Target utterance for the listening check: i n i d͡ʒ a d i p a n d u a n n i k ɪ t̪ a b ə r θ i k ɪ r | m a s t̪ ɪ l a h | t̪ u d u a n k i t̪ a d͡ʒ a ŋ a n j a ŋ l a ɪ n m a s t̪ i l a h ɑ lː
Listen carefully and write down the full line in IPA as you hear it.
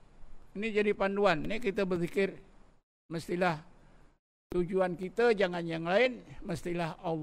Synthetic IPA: i n i d͡ʒ a d i p a n d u a n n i k i t̪ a b ə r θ i k ɪ r | m ə s t̪ i l a h | t̪ u d͡ʒ u a n k i t̪ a d͡ʒ a ŋ a n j a ŋ l a ɪ n m ə s t̪ i l a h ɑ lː